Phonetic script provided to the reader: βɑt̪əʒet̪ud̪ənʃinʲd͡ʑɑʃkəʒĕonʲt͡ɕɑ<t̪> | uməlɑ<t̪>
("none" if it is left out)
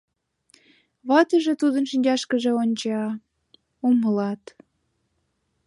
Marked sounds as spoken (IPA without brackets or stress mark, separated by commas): none, t̪